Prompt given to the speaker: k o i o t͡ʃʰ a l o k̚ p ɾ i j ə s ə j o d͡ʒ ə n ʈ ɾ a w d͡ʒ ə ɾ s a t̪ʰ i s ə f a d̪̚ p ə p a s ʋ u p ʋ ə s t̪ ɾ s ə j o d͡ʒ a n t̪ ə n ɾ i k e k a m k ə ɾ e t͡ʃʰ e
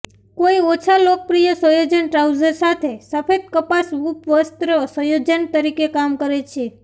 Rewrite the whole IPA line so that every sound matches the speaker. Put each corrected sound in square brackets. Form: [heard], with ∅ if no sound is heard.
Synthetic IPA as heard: k o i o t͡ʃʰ a l o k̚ p ɾ i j ə s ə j o d͡ʒ ə n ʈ ɾ a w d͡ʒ ə ɾ s a t̪ʰ [e] s ə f [e] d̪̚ [k] ə p a s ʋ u p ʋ ə s t̪ ɾ s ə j o d͡ʒ [ə] n t̪ ə [∅] ɾ i k e k a m k ə ɾ e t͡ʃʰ e